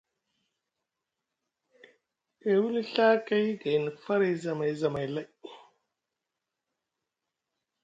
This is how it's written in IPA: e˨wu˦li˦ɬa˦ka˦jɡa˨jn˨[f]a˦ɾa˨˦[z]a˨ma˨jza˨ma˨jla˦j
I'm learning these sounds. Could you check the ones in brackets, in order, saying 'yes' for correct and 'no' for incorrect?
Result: yes, yes

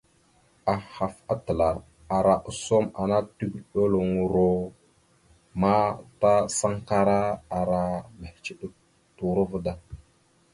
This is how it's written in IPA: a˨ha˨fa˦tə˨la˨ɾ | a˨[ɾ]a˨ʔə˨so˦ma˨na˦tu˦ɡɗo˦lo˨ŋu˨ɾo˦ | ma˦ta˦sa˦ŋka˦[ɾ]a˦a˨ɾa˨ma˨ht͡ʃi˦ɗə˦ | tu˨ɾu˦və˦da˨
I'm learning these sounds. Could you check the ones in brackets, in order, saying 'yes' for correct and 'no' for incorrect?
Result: yes, yes

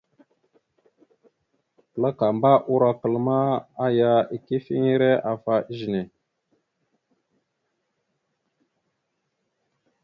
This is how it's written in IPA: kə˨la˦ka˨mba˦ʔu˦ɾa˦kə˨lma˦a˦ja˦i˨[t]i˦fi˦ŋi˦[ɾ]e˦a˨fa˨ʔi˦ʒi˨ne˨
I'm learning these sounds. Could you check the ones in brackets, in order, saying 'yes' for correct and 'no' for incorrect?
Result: no, yes

